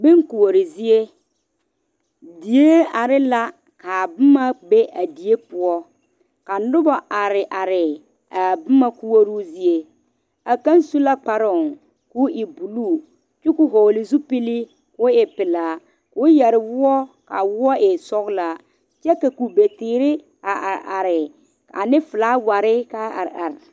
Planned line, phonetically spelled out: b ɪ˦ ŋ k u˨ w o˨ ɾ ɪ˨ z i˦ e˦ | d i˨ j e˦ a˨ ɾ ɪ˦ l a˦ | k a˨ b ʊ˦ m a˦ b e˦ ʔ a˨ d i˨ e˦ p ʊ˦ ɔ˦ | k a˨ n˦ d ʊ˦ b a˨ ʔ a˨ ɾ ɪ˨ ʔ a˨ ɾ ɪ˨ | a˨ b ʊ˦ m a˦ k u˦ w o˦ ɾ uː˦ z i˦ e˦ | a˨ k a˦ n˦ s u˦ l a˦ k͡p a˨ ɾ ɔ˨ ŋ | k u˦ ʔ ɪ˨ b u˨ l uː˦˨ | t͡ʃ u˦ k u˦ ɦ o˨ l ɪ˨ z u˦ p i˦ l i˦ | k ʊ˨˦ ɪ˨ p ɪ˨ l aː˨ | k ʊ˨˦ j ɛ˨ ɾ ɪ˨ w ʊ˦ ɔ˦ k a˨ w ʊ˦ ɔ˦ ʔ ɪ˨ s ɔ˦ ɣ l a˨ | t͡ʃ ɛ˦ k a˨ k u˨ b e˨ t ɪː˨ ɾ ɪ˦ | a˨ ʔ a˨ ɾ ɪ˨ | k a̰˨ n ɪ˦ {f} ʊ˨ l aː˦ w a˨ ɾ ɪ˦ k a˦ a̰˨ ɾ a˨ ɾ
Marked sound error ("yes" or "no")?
no